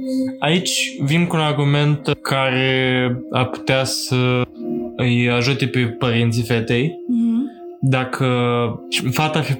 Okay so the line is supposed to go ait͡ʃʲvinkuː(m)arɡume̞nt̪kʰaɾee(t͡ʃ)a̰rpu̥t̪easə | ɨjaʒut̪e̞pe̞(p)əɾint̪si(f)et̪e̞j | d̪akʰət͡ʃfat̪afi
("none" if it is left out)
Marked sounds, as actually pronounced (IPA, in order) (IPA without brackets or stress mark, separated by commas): n, none, p, f